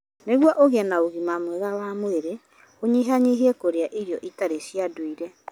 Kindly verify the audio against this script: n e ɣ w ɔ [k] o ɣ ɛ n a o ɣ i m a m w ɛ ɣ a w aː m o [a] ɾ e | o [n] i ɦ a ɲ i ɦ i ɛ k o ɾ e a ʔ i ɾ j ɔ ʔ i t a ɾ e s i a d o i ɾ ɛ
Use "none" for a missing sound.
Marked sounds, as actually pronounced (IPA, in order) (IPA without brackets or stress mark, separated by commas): ʔ, e, ɲ